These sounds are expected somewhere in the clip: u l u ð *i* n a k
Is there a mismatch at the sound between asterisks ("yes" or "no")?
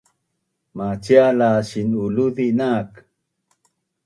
no